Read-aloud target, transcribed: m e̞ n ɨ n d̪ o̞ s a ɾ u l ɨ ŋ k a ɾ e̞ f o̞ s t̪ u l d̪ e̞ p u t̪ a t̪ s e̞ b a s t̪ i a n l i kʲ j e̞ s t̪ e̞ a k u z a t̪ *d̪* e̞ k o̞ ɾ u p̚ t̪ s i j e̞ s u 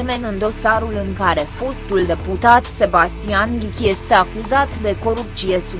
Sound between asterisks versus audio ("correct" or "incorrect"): correct